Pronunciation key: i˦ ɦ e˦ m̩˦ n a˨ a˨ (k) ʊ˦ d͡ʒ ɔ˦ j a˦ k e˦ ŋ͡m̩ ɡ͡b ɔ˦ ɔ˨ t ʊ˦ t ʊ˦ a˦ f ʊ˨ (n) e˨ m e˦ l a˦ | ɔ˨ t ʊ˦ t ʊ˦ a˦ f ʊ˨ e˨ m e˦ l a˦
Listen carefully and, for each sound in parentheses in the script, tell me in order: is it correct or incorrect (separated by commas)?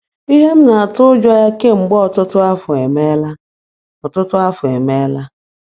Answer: incorrect, incorrect